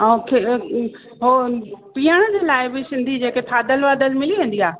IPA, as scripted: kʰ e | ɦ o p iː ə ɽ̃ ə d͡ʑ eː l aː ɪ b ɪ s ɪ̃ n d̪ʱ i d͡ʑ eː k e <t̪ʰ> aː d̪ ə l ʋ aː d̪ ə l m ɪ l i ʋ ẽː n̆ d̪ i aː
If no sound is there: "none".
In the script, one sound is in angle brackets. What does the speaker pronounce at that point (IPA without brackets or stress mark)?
t̪ʰ